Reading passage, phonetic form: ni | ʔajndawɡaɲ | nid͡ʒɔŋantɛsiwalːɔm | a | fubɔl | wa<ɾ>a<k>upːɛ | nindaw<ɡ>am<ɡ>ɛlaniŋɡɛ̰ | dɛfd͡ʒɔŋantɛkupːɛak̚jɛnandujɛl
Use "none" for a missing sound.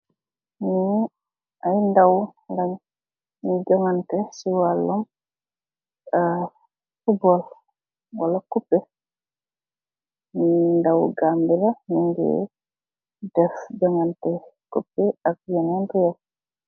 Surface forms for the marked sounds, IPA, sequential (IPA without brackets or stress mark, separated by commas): l, k, ɡ, b